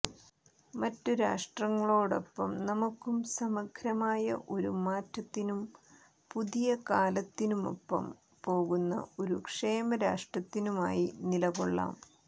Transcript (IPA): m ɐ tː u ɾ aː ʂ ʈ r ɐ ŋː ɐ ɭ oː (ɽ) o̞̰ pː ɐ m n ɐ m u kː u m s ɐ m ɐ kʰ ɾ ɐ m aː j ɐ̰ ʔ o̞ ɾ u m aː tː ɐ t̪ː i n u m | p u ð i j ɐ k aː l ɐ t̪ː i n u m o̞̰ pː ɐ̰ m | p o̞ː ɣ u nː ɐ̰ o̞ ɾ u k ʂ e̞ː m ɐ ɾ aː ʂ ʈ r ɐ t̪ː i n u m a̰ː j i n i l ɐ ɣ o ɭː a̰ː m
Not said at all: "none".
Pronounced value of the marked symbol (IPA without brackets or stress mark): ɽ